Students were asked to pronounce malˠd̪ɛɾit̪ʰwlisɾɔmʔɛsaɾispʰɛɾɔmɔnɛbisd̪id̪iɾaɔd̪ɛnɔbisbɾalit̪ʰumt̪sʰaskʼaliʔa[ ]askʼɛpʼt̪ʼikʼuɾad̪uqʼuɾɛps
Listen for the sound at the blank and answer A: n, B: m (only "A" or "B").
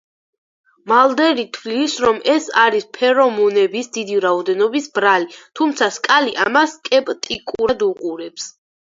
B